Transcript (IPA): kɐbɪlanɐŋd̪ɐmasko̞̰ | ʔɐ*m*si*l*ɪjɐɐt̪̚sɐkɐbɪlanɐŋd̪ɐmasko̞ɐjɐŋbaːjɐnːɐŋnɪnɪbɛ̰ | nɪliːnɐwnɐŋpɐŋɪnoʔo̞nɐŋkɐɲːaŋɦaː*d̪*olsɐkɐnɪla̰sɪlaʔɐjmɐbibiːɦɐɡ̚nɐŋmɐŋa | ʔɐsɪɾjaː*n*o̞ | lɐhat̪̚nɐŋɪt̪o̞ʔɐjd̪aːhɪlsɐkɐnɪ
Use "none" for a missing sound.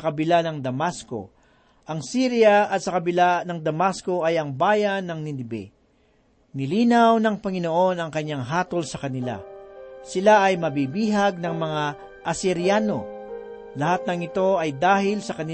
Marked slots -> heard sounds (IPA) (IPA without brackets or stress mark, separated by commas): ŋ, ɾ, t̪, n